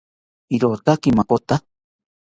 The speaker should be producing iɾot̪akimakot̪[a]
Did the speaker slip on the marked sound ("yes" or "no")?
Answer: no